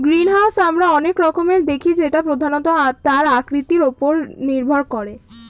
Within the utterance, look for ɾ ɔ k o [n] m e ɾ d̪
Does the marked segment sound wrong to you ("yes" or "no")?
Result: yes